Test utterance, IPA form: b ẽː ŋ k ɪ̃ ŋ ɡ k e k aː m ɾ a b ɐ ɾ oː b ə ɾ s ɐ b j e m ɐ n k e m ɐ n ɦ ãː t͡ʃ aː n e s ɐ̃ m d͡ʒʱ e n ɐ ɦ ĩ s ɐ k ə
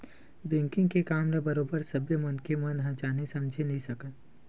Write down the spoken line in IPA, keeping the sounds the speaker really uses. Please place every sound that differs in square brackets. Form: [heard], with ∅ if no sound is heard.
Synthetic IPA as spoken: b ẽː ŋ k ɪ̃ ŋ ɡ k e k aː m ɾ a b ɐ ɾ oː b ə ɾ s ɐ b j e m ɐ n k e m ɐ n ɦ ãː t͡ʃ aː n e s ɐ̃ m d͡ʒʱ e n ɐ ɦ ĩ s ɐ k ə